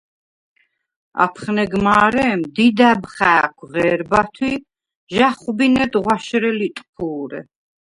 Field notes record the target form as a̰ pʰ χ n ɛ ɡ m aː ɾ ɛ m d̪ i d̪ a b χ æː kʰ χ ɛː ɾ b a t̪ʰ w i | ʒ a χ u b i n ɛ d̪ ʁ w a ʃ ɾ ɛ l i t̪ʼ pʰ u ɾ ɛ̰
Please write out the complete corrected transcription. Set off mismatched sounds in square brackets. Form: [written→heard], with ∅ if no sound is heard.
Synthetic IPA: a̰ pʰ χ n ɛ ɡ m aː ɾ ɛ m d̪ i d̪ a b χ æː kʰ [χ→ʁ] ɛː ɾ b a t̪ʰ w i | ʒ a χ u b i n ɛ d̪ ʁ w a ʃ ɾ ɛ l i t̪ʼ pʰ [u→uː] ɾ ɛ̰